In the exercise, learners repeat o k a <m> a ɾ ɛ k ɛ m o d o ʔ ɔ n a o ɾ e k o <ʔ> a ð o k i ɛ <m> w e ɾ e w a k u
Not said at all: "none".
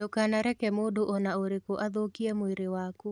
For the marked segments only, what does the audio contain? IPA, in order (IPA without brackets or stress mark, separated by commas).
n, ʔ, m